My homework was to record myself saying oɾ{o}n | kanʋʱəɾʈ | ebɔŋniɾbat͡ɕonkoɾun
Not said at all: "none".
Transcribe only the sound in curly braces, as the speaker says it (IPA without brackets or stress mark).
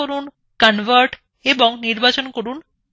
u